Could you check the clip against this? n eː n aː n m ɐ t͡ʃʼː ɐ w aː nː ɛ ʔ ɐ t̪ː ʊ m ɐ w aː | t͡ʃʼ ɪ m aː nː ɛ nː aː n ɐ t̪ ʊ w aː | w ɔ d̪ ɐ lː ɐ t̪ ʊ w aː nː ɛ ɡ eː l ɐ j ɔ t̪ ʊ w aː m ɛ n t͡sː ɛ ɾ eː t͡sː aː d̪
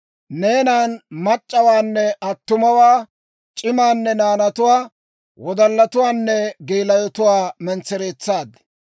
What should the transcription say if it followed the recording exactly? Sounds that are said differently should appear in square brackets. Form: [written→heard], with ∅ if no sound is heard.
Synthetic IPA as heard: n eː n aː n m ɐ t͡ʃʼː ɐ w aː nː ɛ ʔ ɐ t̪ː ʊ m ɐ w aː | t͡ʃʼ ɪ m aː nː ɛ [nː→n] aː n ɐ t̪ ʊ w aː | w ɔ d̪ ɐ lː ɐ t̪ ʊ w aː nː ɛ ɡ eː l ɐ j ɔ t̪ ʊ w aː m ɛ n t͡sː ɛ ɾ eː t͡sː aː d̪